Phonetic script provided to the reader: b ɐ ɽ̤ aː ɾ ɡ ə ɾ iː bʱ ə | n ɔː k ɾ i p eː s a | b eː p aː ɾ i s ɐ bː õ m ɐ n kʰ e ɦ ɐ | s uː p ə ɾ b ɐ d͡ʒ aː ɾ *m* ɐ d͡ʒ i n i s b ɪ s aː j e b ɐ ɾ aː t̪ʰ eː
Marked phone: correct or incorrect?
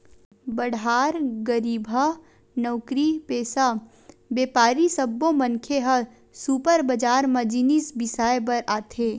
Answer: correct